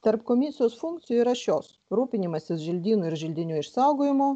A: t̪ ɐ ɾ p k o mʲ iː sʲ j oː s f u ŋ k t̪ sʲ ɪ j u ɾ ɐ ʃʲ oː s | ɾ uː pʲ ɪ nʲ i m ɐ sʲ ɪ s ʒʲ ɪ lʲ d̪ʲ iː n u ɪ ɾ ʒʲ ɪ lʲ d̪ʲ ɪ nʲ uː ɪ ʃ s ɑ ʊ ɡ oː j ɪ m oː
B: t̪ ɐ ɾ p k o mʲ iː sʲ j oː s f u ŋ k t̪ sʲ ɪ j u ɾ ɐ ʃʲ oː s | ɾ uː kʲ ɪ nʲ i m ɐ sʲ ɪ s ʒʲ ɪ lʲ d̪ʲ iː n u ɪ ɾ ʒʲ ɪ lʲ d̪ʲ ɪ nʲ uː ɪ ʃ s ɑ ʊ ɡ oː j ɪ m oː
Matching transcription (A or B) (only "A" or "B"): A